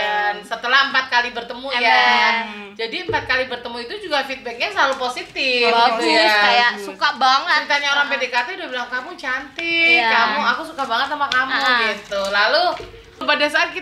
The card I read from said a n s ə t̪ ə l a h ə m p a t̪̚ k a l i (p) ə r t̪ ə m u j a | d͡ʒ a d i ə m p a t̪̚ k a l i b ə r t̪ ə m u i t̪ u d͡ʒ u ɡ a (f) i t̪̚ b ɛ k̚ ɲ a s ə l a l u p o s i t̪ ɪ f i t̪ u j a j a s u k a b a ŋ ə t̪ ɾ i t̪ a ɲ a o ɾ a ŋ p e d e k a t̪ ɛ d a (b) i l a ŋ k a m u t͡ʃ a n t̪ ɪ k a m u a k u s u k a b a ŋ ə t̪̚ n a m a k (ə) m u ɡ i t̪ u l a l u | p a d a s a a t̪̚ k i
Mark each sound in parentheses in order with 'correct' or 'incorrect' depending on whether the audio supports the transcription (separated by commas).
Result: incorrect, correct, correct, incorrect